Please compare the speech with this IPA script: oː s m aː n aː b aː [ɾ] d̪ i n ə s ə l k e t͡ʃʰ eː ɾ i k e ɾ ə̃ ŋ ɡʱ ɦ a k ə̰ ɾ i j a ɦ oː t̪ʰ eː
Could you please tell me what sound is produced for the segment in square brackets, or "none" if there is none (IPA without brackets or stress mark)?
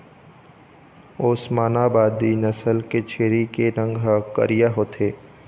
none